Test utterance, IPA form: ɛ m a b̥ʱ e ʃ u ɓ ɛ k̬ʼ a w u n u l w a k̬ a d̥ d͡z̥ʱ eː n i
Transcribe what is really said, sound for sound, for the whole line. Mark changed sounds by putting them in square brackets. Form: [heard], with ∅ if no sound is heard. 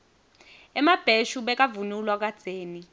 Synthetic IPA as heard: ɛ m a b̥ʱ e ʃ u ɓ ɛ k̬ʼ a [v] u n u l w a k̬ a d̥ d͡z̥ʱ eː n i